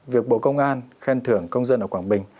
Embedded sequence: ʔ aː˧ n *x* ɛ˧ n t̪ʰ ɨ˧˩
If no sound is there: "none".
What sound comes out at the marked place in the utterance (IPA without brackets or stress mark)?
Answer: x